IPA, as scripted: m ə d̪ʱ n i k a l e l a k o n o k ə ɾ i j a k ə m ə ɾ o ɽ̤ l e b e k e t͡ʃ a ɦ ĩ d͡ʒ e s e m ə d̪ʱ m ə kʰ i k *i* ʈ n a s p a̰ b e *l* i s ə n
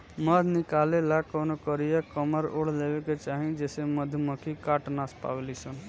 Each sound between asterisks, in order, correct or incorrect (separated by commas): incorrect, correct